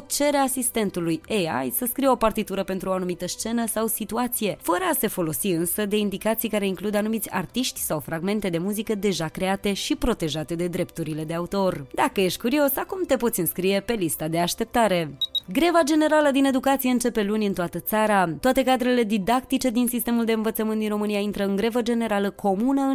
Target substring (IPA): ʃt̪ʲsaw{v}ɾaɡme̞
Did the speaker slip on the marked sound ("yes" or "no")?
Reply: yes